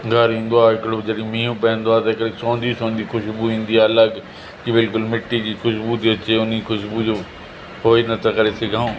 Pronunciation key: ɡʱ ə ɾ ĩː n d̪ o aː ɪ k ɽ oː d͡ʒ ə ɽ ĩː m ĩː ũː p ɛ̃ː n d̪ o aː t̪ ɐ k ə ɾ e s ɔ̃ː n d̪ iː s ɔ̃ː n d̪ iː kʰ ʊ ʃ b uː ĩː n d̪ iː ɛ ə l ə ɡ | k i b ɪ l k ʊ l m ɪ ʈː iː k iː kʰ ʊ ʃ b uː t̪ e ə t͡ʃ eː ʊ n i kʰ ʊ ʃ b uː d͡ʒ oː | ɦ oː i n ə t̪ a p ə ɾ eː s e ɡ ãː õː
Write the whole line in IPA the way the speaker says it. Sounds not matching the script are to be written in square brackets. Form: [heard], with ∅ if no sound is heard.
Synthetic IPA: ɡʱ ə ɾ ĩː n d̪ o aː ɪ k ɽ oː d͡ʒ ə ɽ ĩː m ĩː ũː p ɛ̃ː n d̪ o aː t̪ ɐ k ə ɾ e s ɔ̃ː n d̪ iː s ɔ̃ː n d̪ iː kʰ ʊ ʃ b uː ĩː n d̪ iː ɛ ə l ə ɡ | k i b ɪ l k ʊ l m ɪ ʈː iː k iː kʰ ʊ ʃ b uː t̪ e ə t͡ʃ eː ʊ n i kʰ ʊ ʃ b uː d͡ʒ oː | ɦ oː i n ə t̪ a [k] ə ɾ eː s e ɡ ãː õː

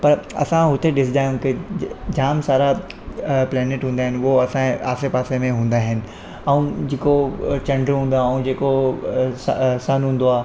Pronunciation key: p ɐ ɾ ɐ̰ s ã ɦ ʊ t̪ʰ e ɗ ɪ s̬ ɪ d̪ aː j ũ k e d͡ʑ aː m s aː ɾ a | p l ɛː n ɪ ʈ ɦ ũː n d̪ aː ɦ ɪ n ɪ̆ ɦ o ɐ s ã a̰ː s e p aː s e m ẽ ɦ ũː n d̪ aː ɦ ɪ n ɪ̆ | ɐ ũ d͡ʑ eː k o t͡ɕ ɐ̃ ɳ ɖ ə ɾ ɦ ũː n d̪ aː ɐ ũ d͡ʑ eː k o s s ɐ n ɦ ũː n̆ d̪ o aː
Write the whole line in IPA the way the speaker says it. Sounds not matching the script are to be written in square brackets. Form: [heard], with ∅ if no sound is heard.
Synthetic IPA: p ɐ ɾ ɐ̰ s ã ɦ ʊ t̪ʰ e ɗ ɪ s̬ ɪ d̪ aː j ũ k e d͡ʑ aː m s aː ɾ a | p l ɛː n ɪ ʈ ɦ ũː n d̪ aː ɦ ɪ n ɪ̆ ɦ o ɐ s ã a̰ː s e p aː s e m ẽ ɦ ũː n d̪ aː ɦ ɪ n ɪ̆ | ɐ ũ d͡ʑ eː k o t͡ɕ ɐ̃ ɳ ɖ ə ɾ ɦ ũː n d̪ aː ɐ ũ d͡ʑ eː k o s s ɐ n ɦ ũː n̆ d̪ o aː

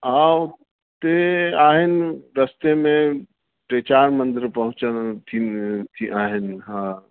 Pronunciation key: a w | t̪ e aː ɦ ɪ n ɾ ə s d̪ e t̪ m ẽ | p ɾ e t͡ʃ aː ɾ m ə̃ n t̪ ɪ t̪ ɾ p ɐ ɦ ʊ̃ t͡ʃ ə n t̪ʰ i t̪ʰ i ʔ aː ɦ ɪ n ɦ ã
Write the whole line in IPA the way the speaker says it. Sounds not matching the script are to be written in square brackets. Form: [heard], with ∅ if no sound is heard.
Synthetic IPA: a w | t̪ e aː ɦ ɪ n ɾ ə s [t̪] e [∅] m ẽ | p ɾ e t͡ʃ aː ɾ m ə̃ n [d̪] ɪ [∅] ɾ p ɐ ɦ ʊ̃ t͡ʃ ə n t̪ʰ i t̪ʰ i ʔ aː ɦ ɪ n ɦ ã

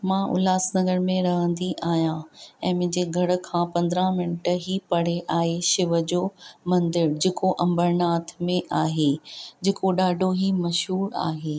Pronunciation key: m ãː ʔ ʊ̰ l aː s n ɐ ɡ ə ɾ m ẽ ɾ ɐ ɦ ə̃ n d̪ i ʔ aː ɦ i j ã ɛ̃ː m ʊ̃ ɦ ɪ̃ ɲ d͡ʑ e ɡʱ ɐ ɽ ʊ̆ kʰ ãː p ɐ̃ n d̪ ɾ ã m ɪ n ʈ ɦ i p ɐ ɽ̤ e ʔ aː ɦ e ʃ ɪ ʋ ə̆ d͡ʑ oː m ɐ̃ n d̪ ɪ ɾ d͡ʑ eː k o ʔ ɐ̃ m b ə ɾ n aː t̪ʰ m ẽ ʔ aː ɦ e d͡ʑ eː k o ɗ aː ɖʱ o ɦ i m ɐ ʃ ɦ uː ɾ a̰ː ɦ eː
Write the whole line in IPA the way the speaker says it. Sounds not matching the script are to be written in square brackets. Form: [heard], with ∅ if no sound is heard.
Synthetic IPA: m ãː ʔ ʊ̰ l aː s n ɐ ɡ ə ɾ m ẽ ɾ ɐ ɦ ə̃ n d̪ i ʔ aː ɦ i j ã ɛ̃ː m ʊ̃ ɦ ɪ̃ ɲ d͡ʑ e ɡʱ ɐ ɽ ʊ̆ kʰ ãː p ɐ̃ n d̪ ɾ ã m ɪ n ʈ ɦ i p ɐ ɽ̤ e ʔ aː ɦ e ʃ ɪ ʋ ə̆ d͡ʑ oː m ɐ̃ n d̪ ɪ ɾ d͡ʑ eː k o ʔ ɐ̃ m b ə ɾ n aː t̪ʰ m ẽ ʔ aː ɦ e d͡ʑ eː k o ɗ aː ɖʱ o ɦ i m ɐ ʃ ɦ uː ɾ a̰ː ɦ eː

